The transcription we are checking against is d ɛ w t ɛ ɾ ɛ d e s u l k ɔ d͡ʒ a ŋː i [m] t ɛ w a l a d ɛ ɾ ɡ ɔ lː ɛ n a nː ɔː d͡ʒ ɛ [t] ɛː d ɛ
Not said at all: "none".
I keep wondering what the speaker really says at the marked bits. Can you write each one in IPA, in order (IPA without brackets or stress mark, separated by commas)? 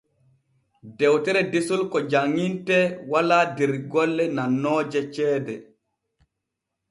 n, t͡ʃ